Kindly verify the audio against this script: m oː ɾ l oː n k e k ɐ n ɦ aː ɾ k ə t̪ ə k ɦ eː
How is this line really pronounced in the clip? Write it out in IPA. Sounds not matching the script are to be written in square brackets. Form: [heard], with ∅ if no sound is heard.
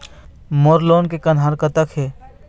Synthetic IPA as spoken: m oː ɾ l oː n k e k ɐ n ɦ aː ɾ k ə t̪ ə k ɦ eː